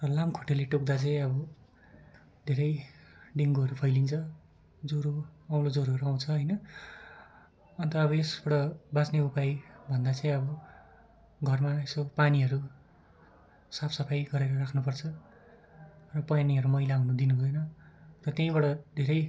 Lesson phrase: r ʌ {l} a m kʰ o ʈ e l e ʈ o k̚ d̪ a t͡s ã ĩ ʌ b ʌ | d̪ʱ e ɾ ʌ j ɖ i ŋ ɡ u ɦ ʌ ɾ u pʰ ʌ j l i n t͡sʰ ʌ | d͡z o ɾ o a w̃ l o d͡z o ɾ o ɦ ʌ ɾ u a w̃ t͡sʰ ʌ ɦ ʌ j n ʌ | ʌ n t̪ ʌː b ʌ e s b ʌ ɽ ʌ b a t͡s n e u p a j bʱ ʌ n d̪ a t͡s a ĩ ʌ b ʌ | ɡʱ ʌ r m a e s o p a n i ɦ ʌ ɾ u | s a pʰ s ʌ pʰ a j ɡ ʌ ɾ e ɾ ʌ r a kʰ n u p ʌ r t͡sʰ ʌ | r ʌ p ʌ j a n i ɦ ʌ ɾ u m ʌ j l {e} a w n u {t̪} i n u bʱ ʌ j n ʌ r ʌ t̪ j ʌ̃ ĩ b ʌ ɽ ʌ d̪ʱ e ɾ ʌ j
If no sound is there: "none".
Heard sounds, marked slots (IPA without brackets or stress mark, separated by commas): l, a, d̪